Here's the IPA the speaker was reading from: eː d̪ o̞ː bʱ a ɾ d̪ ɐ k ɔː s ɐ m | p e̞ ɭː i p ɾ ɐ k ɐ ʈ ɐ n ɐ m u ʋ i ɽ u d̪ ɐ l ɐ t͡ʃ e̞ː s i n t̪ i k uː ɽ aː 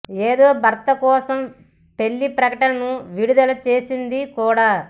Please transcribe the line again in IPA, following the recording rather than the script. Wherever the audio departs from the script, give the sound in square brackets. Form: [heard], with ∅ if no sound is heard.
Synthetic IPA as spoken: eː d̪ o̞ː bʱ [ɐ] ɾ [t̪] ɐ k ɔː s ɐ m | p e̞ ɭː i p ɾ ɐ k ɐ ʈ ɐ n ɐ [n] u ʋ i ɽ u d̪ ɐ l ɐ t͡ʃ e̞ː s i n [d̪] i k uː ɽ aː